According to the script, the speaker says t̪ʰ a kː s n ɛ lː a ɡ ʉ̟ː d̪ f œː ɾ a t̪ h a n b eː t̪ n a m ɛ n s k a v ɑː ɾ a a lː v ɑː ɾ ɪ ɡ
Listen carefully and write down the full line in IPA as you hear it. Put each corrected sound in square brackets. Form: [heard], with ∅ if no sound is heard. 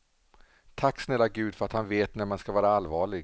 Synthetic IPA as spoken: t̪ʰ a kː s n ɛ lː a ɡ ʉ̟ː d̪ f [œ] ɾ a t̪ h a n [v] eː t̪ n [æ] m [a] n s k a v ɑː ɾ a a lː v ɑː [ɭ] ɪ ɡ